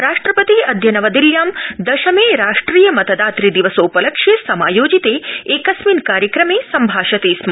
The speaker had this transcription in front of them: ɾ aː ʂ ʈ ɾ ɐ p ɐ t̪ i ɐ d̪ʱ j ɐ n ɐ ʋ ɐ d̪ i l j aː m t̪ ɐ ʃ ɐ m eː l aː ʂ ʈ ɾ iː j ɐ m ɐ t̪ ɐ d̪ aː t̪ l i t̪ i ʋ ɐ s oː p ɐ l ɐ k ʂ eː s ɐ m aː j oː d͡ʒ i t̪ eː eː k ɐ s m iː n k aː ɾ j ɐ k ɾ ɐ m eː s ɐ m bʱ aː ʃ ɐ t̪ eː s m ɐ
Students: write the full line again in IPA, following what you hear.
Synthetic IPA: ɾ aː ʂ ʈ ɾ ɐ p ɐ t̪ i ɐ d̪ʱ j ɐ n ɐ ʋ ɐ d̪ i l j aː m d̪ ɐ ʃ ɐ m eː ɾ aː ʂ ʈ ɾ iː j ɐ m ɐ t̪ ɐ d̪ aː t̪ ɾ i d̪ i ʋ ɐ s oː p ɐ l ɐ k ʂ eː s ɐ m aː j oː d͡ʒ i t̪ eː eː k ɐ s m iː n k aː ɾ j ɐ k ɾ ɐ m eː s ɐ m bʱ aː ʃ ɐ t̪ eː s m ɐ

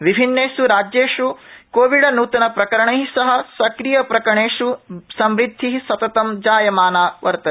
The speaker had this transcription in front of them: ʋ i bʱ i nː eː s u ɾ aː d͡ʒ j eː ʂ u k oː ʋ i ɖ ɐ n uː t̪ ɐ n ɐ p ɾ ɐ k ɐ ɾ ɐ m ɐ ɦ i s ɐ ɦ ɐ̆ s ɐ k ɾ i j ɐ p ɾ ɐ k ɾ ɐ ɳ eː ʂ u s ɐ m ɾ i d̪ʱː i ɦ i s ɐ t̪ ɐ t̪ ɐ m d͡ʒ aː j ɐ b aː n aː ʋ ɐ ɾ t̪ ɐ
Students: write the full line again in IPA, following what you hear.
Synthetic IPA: ʋ i bʱ i nː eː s u ɾ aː d͡ʒ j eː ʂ u k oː ʋ i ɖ ɐ n uː t̪ ɐ n ɐ p ɾ ɐ k ɐ ɾ ɐ ɳ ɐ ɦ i s ɐ ɦ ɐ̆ s ɐ k ɾ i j ɐ p ɾ ɐ k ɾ ɐ ɳ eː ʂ u s ɐ m ɾ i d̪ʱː i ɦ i s ɐ t̪ ɐ t̪ ɐ m d͡ʒ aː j ɐ m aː n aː ʋ ɐ ɾ t̪ ɐ

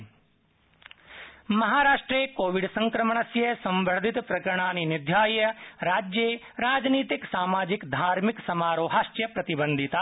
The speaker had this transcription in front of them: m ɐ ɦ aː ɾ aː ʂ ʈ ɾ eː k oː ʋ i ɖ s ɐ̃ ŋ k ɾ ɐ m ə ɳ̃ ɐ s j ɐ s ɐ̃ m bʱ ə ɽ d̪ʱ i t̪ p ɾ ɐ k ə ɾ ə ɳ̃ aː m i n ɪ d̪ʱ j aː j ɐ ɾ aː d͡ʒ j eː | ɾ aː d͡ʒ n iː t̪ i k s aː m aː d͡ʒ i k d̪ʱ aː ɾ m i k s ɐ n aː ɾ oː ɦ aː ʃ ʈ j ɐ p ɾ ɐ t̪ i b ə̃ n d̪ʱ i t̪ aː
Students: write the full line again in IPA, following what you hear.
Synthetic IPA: m ɐ ɦ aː ɾ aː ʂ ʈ ɾ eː k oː ʋ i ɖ s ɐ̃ ŋ k ɾ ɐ m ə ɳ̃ ɐ s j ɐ s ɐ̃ m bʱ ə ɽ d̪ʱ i t̪ p ɾ ɐ k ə ɾ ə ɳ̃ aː n i n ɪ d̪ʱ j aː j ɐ ɾ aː d͡ʒ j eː | ɾ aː d͡ʒ n iː t̪ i k s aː m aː d͡ʒ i k d̪ʱ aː ɾ m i k s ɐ m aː ɾ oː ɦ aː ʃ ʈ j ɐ p ɾ ɐ t̪ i b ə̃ n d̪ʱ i t̪ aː

